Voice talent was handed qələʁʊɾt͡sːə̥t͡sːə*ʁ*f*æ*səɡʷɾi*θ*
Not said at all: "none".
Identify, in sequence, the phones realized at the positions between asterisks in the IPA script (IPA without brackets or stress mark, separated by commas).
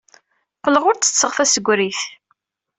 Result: ʁ, æ, θ